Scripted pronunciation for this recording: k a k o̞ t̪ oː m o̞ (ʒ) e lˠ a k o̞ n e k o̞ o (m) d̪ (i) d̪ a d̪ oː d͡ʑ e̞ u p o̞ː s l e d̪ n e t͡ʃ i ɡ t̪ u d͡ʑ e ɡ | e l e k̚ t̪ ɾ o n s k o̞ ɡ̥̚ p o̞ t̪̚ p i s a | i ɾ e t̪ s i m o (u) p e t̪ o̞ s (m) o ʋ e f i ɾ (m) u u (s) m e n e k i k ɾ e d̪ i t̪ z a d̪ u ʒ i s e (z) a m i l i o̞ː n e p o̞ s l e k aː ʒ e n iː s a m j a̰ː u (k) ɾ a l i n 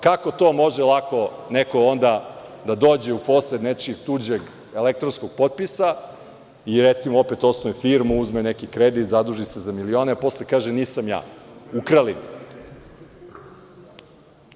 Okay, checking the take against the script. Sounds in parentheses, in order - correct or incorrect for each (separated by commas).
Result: correct, incorrect, incorrect, incorrect, incorrect, correct, incorrect, correct, correct